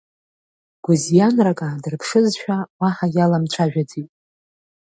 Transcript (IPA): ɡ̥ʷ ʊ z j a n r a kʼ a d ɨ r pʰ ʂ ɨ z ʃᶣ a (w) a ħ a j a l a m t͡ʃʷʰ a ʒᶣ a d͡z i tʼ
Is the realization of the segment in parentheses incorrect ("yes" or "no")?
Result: no